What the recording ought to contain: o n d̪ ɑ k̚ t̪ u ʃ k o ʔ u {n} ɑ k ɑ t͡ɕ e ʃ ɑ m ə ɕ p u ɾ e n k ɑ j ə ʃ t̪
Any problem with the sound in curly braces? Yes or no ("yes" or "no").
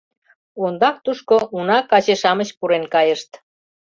no